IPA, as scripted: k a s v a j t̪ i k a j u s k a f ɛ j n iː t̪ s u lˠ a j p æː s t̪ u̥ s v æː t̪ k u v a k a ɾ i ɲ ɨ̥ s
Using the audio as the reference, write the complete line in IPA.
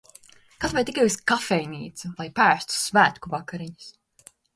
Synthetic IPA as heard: k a s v a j t̪ i k a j u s k a f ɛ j n iː t̪ s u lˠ a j p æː s t̪ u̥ s v æː t̪ k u v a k a ɾ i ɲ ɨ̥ s